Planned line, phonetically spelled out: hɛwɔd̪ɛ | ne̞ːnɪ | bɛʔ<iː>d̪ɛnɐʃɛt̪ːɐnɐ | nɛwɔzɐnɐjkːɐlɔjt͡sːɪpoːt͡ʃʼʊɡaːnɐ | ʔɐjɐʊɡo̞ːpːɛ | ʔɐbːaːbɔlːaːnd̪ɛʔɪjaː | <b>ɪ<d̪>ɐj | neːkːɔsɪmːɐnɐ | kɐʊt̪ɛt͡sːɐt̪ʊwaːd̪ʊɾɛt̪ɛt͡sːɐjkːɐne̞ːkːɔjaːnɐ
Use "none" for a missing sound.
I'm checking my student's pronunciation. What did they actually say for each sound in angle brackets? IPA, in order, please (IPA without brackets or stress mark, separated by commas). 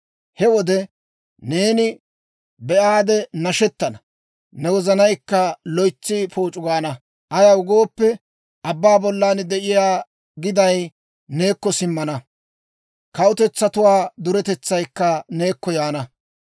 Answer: aː, ɡ, d̪